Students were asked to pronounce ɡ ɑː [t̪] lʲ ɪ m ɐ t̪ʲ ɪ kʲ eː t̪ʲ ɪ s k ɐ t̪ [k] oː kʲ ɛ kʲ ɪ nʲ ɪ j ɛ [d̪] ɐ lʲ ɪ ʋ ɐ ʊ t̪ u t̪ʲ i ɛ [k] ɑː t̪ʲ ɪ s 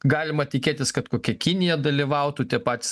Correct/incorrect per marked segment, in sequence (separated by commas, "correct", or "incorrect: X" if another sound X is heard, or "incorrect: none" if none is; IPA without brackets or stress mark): incorrect: none, correct, correct, incorrect: p